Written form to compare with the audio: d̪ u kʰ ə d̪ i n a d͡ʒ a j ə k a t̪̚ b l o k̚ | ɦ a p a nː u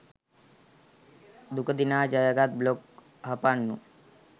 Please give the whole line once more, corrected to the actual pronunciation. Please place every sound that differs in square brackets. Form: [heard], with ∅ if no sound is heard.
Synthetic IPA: d̪ u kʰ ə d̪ i n a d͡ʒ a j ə [ɡ] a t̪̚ b l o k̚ | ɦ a p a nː u